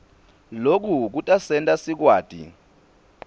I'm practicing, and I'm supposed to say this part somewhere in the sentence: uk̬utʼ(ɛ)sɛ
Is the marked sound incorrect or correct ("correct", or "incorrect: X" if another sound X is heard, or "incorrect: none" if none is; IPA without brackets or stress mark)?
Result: incorrect: a